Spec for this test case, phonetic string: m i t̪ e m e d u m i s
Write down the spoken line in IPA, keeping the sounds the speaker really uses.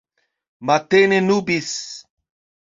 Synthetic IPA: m a t̪ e n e n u b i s

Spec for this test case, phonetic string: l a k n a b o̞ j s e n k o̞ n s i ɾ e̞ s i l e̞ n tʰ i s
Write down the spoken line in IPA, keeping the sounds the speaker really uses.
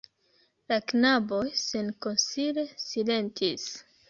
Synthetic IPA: l a k n a b o̞ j s e n k o̞ n s i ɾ e̞ s i l e̞ n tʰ i s

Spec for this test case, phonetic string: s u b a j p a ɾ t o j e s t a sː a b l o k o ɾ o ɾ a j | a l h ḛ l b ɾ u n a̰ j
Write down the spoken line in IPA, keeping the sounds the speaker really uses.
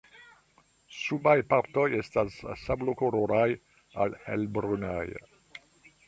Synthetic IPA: s u b a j p a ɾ t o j e s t a sː a b l o k o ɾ o ɾ a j | a l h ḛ l b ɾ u n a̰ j

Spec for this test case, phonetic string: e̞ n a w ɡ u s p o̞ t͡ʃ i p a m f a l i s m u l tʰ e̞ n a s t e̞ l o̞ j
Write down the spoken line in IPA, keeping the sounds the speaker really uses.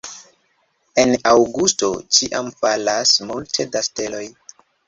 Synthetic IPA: e̞ n a w ɡ u s t o̞ t͡ʃ i ʔ a m f a l a s m u l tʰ e̞ d a s t e̞ l o̞ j

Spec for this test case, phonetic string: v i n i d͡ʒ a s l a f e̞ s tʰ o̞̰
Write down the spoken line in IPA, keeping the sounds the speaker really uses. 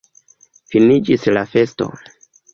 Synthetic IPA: f i n i d͡ʒ i s l a f e̞ s t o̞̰

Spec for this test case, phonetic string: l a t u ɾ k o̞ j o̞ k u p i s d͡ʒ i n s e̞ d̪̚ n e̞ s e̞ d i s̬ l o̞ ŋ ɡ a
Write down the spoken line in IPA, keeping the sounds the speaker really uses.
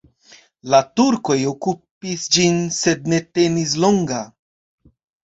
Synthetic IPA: l a t u ɾ k o̞ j o̞ k u p i s d͡ʒ i n s e̞ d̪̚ n e̞ t e̞ n i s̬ l o̞ ŋ ɡ a

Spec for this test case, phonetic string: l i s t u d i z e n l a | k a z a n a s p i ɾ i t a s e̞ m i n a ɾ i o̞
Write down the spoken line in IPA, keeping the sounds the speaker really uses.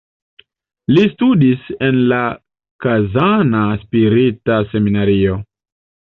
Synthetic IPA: l i s t u d i s e n l a | k a z a n a s p i ɾ i t a s e̞ m i n a ɾ i o̞

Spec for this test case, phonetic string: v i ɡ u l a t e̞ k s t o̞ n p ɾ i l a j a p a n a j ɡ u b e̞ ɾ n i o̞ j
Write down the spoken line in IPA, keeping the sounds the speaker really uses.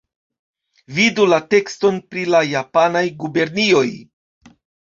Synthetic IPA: v i d u l a t e̞ k s t o̞ n p ɾ i l a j a p a n a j ɡ u b e̞ ɾ n i o̞ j

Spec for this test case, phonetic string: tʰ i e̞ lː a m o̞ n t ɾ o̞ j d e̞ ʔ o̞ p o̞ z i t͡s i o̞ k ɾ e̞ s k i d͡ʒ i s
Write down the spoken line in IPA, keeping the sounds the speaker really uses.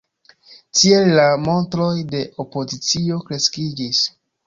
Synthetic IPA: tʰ i e̞ lː a m o̞ n t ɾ o̞ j d e̞ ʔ o̞ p o̞ z i t͡s i o̞ k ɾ e̞ s k i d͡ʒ i s

